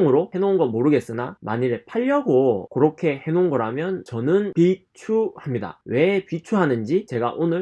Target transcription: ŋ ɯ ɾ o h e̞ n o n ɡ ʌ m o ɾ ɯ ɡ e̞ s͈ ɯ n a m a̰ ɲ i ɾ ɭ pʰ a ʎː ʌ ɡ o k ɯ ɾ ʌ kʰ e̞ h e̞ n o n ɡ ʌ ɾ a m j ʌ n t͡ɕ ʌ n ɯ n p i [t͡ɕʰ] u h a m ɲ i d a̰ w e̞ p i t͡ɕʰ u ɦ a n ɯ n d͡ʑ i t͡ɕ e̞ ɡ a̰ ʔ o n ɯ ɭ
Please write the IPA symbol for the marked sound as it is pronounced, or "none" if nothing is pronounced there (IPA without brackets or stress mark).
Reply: t͡ɕʰ